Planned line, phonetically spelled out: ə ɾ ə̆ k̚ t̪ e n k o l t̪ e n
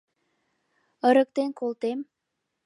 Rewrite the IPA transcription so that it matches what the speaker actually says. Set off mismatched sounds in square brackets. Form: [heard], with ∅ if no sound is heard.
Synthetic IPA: ə ɾ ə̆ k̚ t̪ e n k o l t̪ e [m]